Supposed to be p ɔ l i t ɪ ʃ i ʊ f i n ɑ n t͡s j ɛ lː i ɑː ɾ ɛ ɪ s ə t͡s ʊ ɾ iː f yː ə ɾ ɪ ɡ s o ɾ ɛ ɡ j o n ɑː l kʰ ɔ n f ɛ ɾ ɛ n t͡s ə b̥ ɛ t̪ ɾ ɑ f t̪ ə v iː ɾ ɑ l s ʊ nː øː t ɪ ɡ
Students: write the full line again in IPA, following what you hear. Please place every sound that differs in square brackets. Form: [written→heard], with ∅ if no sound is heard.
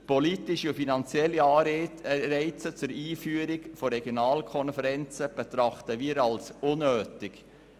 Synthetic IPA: p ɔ l i t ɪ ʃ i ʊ f i n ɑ n t͡s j ɛ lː i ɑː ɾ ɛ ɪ [s→t͡s] ə t͡s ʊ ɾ iː f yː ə ɾ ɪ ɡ [s→f] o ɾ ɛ ɡ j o n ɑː l kʰ ɔ n f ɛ ɾ ɛ n t͡s ə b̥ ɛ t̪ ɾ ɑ [f→χ] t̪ ə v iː ɾ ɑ l s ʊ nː øː t ɪ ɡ